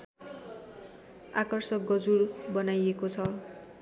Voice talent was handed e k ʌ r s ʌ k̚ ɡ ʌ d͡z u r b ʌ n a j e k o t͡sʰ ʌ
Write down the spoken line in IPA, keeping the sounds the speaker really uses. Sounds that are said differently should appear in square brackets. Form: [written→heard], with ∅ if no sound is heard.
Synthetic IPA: [e→a] k ʌ r s ʌ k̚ ɡ ʌ d͡z u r b ʌ n a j e k o t͡sʰ ʌ